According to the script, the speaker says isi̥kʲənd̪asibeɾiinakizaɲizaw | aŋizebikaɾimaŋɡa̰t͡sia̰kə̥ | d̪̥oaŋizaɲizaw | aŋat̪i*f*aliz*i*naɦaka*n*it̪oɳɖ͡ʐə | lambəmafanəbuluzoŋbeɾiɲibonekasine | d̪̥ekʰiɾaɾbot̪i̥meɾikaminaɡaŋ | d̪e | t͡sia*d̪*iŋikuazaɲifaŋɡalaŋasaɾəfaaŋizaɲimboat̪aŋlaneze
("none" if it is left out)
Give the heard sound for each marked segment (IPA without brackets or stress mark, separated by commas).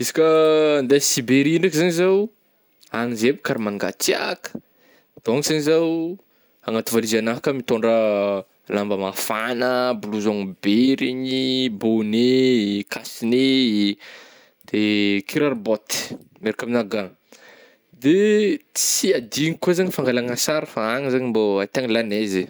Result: v, a, m, d̪